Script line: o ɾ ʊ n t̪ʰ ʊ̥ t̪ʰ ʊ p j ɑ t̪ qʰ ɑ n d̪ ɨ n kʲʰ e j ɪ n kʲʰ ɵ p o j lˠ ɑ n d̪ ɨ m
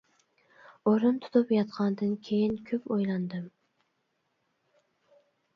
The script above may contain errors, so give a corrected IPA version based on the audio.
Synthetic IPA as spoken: o ɾ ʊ n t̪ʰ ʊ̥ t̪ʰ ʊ p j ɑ t̪ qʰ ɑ n d̪ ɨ n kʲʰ e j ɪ n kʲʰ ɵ p o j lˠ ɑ n d̪ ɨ m